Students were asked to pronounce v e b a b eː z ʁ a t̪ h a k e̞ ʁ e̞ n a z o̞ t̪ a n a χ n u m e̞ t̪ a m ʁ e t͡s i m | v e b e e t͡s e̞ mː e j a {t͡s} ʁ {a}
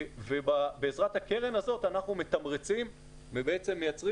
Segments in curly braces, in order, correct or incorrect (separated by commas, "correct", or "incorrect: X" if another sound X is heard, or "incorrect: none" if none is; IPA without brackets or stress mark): correct, incorrect: i